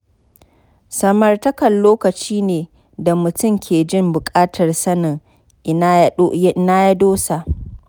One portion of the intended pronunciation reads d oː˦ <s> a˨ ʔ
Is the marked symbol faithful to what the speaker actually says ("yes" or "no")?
yes